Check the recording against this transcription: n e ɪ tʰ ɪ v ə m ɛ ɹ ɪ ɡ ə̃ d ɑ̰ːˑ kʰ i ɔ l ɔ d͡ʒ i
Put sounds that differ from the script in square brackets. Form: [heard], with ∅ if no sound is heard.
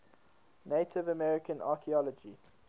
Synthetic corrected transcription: n e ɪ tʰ ɪ v ə m ɛ ɹ ɪ [k] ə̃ [n] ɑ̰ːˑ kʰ i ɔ l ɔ d͡ʒ i